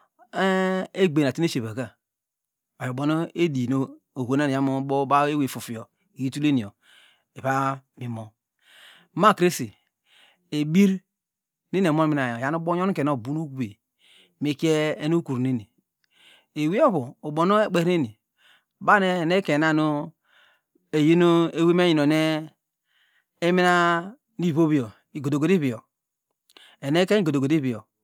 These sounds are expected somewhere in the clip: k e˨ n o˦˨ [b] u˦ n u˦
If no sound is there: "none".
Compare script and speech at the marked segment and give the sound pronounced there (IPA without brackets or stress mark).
b